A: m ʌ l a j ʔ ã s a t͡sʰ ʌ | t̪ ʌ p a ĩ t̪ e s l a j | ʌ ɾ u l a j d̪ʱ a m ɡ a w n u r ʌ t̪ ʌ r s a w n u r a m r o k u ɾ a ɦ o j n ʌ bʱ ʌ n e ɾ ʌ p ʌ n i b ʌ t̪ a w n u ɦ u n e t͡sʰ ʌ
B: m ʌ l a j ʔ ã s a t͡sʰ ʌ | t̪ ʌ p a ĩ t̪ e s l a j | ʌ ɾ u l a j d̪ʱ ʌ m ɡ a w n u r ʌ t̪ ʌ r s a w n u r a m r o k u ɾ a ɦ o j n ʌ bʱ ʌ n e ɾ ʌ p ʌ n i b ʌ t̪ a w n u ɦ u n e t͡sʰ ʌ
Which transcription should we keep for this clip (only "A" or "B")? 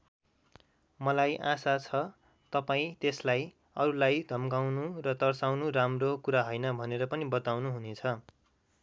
B